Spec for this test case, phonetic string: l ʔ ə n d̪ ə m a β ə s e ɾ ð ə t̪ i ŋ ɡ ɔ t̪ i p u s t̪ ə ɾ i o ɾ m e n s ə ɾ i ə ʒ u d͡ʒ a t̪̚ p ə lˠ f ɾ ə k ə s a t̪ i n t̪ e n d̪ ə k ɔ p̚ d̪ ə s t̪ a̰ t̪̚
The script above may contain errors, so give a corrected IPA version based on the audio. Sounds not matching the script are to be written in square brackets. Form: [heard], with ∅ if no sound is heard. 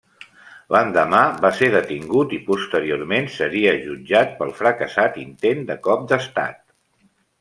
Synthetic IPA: l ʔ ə n d̪ ə m a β [a] s e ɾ ð ə t̪ i ŋ ɡ [u] t̪ i p u s t̪ ə ɾ i o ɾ m e n s ə ɾ i ə ʒ u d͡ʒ a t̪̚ p ə lˠ f ɾ ə k ə s a t̪ i n t̪ e n d̪ ə k ɔ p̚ d̪ ə s t̪ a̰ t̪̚